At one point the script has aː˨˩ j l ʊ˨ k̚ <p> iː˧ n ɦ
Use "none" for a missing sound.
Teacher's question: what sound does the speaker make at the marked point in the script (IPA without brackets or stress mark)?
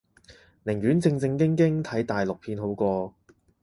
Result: pʰ